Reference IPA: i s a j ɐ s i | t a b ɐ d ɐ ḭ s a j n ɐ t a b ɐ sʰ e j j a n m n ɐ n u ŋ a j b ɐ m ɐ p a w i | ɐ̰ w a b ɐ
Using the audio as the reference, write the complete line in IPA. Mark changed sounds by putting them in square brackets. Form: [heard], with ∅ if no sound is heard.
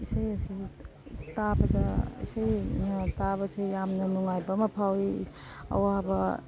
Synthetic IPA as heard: i s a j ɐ s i | t a b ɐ d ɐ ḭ s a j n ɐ t a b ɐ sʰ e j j a [∅] m n ɐ n u ŋ a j b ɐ m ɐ [pʰ] a w i | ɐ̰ w a b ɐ